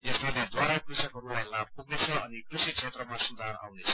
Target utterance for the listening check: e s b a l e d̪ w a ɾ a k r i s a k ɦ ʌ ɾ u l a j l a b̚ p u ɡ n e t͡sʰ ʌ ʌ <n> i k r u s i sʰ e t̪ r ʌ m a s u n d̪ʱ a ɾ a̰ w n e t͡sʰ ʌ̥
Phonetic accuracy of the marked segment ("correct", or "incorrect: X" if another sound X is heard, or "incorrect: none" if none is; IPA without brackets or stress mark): correct